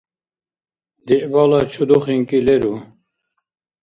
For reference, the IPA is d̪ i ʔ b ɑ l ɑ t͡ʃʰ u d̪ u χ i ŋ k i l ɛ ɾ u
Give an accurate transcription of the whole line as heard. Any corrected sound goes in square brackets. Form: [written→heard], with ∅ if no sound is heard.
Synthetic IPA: d̪ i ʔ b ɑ l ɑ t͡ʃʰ u d̪ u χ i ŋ k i l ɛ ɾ u